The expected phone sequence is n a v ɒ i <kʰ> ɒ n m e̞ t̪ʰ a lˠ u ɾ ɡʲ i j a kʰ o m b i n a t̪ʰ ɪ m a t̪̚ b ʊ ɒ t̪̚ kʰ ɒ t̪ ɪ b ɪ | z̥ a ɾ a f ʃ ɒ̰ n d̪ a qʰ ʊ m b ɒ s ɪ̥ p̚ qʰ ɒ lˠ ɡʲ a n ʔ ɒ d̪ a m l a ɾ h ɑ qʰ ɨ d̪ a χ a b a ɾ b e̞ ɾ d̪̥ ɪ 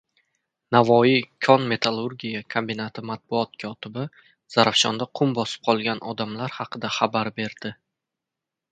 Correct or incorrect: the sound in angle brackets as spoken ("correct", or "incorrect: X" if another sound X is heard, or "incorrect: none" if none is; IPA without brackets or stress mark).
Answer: correct